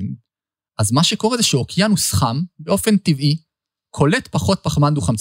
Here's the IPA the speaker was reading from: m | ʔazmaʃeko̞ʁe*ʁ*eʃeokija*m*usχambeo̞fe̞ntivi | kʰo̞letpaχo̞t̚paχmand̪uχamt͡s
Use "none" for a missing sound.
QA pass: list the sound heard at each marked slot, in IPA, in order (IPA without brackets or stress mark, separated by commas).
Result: z, n